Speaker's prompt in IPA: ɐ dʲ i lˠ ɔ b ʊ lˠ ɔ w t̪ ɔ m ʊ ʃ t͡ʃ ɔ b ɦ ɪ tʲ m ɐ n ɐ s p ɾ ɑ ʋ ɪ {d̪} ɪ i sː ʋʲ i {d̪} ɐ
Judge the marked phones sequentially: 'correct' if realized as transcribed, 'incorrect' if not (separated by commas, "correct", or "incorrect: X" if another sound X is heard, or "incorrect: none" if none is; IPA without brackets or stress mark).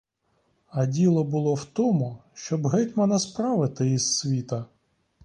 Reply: incorrect: t̪, incorrect: t̪